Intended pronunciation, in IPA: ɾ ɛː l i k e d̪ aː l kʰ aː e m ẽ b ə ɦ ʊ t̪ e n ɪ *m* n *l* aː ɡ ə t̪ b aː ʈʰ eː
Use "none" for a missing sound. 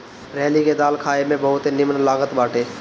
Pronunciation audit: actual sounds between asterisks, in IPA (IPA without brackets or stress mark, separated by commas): m, l